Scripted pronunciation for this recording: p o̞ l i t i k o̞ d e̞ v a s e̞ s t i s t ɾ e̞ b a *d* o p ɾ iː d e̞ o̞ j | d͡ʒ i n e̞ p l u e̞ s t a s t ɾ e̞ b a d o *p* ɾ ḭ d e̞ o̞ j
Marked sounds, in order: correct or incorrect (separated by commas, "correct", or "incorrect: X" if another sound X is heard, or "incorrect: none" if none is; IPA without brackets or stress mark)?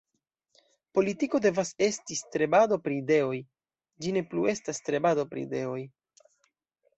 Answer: correct, correct